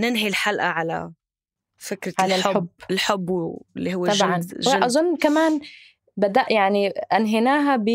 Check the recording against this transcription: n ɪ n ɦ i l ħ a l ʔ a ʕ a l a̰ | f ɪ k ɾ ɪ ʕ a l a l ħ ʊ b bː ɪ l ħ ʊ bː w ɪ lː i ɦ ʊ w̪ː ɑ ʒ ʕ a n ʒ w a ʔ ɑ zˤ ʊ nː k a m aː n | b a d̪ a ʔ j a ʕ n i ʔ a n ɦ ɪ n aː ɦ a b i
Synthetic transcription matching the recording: n ɪ n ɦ i l ħ a l ʔ a ʕ a l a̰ | f ɪ k ɾ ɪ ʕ a l a l ħ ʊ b bː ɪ l ħ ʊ bː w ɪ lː i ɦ ʊ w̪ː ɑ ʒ ʕ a n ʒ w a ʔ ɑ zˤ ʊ nː k a m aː n | b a d̪ a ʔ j a ʕ n i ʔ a n ɦ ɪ n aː ɦ a b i